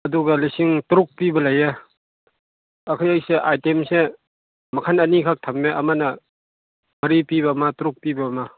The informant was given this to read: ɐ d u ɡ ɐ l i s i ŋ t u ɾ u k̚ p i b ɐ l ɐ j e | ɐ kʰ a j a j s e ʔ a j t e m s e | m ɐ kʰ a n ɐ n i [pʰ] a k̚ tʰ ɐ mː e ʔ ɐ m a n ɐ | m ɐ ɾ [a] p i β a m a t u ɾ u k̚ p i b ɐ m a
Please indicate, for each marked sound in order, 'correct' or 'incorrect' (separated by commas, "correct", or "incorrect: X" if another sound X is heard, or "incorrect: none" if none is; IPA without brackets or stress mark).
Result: incorrect: kʰ, incorrect: i